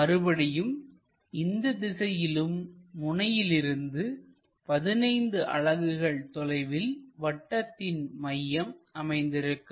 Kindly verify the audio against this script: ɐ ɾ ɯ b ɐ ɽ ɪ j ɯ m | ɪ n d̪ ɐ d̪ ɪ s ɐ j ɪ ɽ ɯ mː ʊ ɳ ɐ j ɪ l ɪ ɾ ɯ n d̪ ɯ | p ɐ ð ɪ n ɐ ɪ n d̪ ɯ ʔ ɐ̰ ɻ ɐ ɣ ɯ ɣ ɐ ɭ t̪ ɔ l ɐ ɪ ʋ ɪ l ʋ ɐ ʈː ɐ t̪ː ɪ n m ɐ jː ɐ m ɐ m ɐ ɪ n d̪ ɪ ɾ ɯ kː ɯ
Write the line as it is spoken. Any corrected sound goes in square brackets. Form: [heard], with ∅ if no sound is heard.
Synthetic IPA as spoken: ɐ ɾ ɯ b ɐ ɽ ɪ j ɯ m | ɪ n d̪ ɐ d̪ ɪ s ɐ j ɪ [l] ɯ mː ʊ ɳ ɐ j ɪ l ɪ ɾ ɯ n d̪ ɯ | p ɐ ð ɪ n ɐ ɪ n d̪ ɯ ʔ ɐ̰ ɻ ɐ ɣ ɯ ɣ ɐ ɭ t̪ ɔ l ɐ ɪ ʋ ɪ l ʋ ɐ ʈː ɐ t̪ː ɪ n m ɐ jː ɐ m ɐ m ɐ ɪ n d̪ ɪ ɾ ɯ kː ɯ